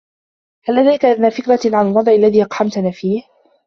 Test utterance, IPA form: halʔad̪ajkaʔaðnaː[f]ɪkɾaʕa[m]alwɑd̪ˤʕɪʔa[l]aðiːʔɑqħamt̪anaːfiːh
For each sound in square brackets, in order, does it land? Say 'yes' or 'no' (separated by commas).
yes, no, no